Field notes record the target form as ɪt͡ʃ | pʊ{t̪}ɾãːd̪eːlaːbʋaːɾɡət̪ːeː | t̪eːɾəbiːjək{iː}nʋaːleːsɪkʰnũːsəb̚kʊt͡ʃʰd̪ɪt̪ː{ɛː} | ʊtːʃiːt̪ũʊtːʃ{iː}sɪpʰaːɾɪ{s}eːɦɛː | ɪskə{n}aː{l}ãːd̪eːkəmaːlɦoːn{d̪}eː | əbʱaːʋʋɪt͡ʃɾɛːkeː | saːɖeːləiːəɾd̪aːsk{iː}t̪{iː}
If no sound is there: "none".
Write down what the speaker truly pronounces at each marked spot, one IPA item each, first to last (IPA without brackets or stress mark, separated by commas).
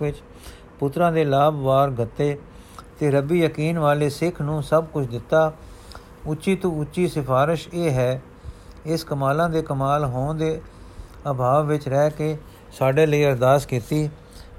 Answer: t̪, iː, aː, iː, ʃ, m, l, d̪, iː, iː